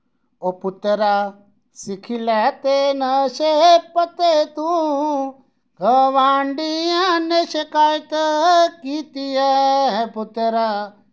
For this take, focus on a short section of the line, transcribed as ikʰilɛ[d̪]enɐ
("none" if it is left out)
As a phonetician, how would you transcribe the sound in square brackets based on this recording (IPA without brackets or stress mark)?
t̪